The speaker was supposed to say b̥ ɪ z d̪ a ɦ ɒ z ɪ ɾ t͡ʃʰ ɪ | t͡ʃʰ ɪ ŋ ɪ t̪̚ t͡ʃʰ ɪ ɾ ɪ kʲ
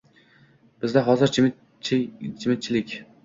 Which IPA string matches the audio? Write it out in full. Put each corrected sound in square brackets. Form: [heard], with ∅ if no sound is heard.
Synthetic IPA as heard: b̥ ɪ z d̪ a ɦ ɒ z ɪ ɾ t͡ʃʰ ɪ | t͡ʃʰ ɪ [m] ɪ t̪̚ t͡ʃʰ ɪ [l] ɪ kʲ